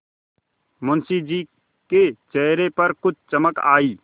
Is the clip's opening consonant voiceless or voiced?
voiced